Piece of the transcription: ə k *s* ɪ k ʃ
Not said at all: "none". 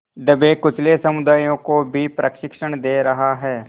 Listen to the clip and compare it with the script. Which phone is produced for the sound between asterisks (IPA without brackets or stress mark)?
ʃ